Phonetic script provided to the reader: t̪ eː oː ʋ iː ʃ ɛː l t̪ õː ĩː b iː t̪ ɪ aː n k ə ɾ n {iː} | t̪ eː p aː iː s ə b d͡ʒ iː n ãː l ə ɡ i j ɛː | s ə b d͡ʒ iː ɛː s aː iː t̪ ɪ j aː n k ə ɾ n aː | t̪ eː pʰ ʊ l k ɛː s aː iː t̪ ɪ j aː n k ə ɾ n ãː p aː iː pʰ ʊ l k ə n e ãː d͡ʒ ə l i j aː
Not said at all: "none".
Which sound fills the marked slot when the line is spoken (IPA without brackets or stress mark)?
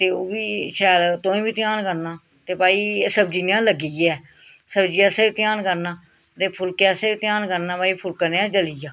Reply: aː